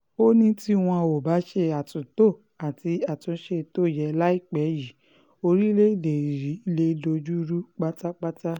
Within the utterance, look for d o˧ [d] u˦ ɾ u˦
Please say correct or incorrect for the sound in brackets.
incorrect